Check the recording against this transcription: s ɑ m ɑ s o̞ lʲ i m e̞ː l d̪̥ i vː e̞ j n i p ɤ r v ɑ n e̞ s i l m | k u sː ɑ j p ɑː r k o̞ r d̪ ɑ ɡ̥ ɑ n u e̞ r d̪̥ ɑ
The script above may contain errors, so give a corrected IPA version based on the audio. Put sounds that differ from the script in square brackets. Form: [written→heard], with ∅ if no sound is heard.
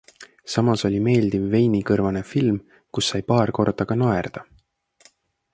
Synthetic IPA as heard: s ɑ m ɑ s o̞ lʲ i m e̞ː l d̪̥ i vː e̞ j n i [p→k] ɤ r v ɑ n e̞ [s→f] i l m | k u sː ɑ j p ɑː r k o̞ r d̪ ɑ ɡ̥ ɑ n [u→o] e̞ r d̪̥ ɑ